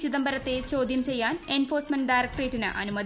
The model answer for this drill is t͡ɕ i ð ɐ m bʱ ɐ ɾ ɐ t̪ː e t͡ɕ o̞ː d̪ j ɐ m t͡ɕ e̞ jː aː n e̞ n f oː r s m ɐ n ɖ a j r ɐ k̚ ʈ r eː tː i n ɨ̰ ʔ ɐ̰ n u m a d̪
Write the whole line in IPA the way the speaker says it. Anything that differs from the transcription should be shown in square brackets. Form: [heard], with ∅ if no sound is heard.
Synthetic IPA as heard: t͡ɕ i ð ɐ m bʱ ɐ ɾ ɐ t̪ː e t͡ɕ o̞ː d̪ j ɐ m t͡ɕ e̞ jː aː n e̞ n f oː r s m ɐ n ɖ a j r ɐ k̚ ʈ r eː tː i n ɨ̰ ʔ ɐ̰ n u m [ɐ] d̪

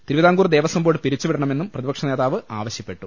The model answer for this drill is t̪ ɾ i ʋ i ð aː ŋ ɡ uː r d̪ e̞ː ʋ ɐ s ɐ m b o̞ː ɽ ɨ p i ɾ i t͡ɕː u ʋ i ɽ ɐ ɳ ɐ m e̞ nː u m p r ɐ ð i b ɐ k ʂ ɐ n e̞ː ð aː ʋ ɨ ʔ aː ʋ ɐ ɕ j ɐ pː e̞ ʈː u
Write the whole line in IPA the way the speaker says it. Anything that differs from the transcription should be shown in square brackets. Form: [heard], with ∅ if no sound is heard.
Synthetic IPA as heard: t̪ ɾ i ʋ i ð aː ŋ ɡ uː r d̪ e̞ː ʋ ɐ s ɐ m b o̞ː ɽ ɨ p i ɾ i t͡ɕː u ʋ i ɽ ɐ ɳ ɐ m e̞ nː u m p r ɐ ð i b ɐ k ʂ ɐ n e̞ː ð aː ʋ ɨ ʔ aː ʋ ɐ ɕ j ɐ pː e̞ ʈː u

